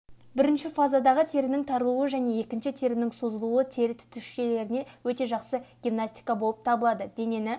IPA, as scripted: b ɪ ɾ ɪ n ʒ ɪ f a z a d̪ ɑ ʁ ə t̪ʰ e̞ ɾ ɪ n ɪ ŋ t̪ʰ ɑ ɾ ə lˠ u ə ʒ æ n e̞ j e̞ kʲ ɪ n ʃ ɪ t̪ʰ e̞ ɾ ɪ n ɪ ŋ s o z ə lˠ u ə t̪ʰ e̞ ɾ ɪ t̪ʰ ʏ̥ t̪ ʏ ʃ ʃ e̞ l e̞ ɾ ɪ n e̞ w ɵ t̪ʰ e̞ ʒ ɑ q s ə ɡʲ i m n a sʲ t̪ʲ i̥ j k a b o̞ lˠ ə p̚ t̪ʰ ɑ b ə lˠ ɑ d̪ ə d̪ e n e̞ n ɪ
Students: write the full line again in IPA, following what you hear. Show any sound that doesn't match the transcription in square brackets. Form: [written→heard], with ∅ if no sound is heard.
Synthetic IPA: b ɪ ɾ ɪ n [ʒ→ʃ] ɪ f a z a d̪ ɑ ʁ ə t̪ʰ e̞ ɾ ɪ n ɪ ŋ t̪ʰ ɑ ɾ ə lˠ u ə ʒ æ n e̞ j e̞ kʲ ɪ n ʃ ɪ t̪ʰ e̞ ɾ ɪ n ɪ ŋ s o z ə lˠ u ə t̪ʰ e̞ ɾ ɪ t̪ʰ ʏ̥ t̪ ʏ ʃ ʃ e̞ l e̞ ɾ ɪ n e̞ w ɵ [t̪ʰ→t̪] e̞ ʒ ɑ q s ə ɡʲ i m n a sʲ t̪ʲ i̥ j k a b o̞ lˠ ə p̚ t̪ʰ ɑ b ə lˠ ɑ d̪ ə d̪ e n e̞ n ɪ

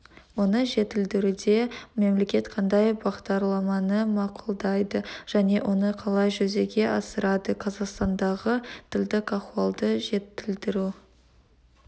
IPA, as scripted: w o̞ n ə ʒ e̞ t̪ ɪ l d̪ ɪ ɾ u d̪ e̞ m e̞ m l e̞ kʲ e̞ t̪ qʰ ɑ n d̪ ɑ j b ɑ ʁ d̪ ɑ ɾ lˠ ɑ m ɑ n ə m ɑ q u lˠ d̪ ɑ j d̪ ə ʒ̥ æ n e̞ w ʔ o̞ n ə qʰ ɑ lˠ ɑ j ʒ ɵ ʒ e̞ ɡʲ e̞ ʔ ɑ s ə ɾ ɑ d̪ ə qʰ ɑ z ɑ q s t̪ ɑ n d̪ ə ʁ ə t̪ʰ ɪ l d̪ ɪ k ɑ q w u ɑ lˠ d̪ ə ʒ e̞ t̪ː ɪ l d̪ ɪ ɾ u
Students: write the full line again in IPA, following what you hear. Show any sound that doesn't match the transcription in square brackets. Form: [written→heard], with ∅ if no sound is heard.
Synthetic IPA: w o̞ n ə ʒ e̞ t̪ ɪ l d̪ ɪ ɾ u d̪ e̞ m e̞ m l e̞ kʲ e̞ t̪ qʰ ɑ n d̪ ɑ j b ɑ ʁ d̪ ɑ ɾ lˠ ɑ m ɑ n ə m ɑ q u lˠ d̪ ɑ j d̪ ə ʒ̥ æ n e̞ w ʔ o̞ n ə qʰ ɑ lˠ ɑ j ʒ ɵ [ʒ→z] e̞ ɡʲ e̞ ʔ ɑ s ə ɾ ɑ d̪ ə qʰ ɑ z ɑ q s t̪ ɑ n d̪ [ə→ɑ] ʁ ə t̪ʰ ɪ l d̪ ɪ k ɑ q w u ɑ lˠ d̪ ə ʒ e̞ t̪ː ɪ l d̪ ɪ ɾ u

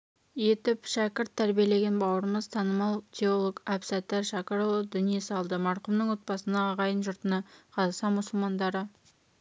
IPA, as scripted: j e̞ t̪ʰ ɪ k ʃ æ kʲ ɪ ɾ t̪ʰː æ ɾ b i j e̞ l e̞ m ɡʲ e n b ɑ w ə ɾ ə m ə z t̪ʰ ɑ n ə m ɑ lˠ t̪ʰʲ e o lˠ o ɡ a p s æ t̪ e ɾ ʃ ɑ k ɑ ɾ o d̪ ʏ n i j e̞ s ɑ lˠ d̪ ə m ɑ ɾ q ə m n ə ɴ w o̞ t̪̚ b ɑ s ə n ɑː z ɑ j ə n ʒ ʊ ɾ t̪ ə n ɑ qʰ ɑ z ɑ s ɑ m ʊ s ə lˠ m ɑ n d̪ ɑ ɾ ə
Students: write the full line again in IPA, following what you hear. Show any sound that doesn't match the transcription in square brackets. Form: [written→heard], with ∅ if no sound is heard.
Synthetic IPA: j e̞ [t̪ʰ→t̪] ɪ [k→p] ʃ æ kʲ ɪ ɾ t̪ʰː æ ɾ b i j e̞ l e̞ [m→∅] ɡʲ e n b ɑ w ə ɾ ə m ə z t̪ʰ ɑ n ə m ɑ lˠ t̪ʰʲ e o lˠ o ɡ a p s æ t̪ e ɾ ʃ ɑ k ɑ ɾ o d̪ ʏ n i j e̞ s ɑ lˠ d̪ ə m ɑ ɾ q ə m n ə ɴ w o̞ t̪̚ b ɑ s ə n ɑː [z→ʁ] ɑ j ə n ʒ ʊ ɾ t̪ ə n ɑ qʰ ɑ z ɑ s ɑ m ʊ s ə lˠ m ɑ n d̪ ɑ ɾ ə

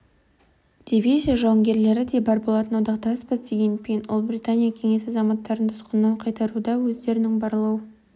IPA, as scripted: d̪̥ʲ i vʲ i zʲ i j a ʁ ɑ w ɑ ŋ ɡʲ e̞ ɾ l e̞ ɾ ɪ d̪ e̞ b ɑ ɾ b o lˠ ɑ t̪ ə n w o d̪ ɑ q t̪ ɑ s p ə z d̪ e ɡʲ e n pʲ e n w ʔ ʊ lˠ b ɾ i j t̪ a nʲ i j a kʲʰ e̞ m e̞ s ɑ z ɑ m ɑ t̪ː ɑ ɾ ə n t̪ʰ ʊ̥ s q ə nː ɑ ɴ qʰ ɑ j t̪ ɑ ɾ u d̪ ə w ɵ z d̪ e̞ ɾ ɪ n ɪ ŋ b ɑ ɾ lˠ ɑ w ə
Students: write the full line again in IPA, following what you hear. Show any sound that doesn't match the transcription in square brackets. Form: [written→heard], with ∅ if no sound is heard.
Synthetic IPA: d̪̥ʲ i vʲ i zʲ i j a [ʁ→ʒ] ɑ w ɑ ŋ ɡʲ e̞ ɾ l e̞ ɾ ɪ d̪ e̞ b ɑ ɾ b o lˠ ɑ t̪ ə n w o d̪ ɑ q t̪ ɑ s p ə z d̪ e ɡʲ e n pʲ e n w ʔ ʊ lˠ b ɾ i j t̪ a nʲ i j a kʲʰ e̞ [m→ŋ] e̞ s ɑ z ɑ m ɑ t̪ː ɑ ɾ ə n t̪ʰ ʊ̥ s q ə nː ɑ ɴ qʰ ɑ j t̪ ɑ ɾ u d̪ [ə→ɑ] w ɵ z d̪ e̞ ɾ ɪ n ɪ ŋ b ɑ ɾ lˠ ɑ w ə

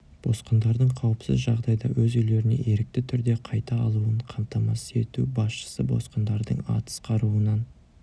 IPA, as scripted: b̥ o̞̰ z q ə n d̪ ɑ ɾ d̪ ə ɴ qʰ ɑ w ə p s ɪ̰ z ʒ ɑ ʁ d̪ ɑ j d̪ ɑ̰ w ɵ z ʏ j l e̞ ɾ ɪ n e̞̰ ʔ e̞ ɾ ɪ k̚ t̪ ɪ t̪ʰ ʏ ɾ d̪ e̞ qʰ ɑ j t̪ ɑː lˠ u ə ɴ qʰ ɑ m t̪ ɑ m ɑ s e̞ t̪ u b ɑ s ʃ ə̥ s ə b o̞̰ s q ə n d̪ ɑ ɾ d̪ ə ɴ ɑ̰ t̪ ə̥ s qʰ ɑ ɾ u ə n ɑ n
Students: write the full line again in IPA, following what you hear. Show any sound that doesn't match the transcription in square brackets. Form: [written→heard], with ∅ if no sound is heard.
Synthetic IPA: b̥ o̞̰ [z→s] q ə n d̪ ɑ ɾ d̪ ə ɴ qʰ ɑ w ə p s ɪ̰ z ʒ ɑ ʁ d̪ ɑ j d̪ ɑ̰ w ɵ z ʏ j l e̞ ɾ ɪ n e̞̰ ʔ e̞ ɾ ɪ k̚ t̪ ɪ t̪ʰ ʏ ɾ d̪ e̞ qʰ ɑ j t̪ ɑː lˠ u ə ɴ qʰ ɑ m t̪ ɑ m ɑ s e̞ t̪ u b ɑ s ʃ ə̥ s ə b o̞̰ s q ə n d̪ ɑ ɾ d̪ ə ɴ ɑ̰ t̪ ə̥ s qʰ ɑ ɾ u ə n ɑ n

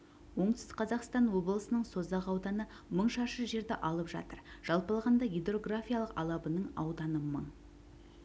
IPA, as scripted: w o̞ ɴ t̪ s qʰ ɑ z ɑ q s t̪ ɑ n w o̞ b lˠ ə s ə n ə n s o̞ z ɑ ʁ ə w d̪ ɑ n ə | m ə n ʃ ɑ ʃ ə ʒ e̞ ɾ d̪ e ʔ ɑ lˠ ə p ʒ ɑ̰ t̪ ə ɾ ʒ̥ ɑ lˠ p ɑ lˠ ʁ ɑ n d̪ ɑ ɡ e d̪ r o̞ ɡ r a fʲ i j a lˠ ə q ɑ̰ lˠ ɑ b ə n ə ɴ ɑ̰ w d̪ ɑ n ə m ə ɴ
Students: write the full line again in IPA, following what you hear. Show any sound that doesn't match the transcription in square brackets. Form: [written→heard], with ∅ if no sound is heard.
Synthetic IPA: w o̞ ɴ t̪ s qʰ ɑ z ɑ q s t̪ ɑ n w o̞ b lˠ ə s ə n ə [n→ɴ] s o̞ z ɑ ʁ [ə→ɑ] w d̪ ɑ n ə | m ə [n→ɴ] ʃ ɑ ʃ ə ʒ e̞ ɾ d̪ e ʔ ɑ lˠ ə p ʒ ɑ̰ t̪ ə ɾ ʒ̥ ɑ lˠ p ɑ lˠ ʁ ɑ n d̪ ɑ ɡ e d̪ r o̞ ɡ r a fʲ i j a lˠ ə q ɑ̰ lˠ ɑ b ə n ə ɴ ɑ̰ w d̪ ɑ n ə m ə ɴ

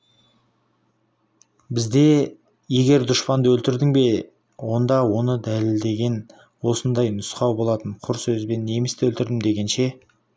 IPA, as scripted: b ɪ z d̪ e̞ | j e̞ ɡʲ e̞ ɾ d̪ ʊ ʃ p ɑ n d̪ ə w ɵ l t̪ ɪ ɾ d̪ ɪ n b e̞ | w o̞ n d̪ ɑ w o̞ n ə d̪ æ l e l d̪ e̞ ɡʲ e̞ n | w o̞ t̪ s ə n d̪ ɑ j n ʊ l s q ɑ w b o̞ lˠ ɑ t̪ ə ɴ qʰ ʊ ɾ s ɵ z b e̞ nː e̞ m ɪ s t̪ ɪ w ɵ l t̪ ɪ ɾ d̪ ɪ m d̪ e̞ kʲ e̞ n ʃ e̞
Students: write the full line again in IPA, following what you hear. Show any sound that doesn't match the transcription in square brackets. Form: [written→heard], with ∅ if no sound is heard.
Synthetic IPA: b ɪ z d̪ e̞ | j e̞ ɡʲ e̞ ɾ d̪ ʊ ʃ p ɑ n d̪ ə w ɵ l t̪ ɪ ɾ d̪ ɪ [n→ŋ] b e̞ | w o̞ n d̪ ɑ w o̞ n ə d̪ æ l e l d̪ e̞ ɡʲ e̞ n | w o̞ [t̪→∅] s ə n d̪ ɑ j n ʊ [l→∅] s q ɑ w b o̞ lˠ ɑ t̪ ə ɴ qʰ ʊ ɾ s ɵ z b e̞ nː e̞ m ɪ s t̪ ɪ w ɵ l t̪ ɪ ɾ d̪ ɪ m d̪ e̞ [kʲ→ɡʲ] e̞ n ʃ e̞

